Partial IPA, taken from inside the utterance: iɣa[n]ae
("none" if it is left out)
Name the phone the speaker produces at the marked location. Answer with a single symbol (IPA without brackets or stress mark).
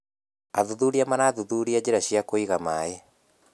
m